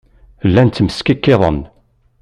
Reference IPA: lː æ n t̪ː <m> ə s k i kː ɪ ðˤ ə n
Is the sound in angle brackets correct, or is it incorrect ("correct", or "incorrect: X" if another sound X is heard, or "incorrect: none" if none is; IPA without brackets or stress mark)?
correct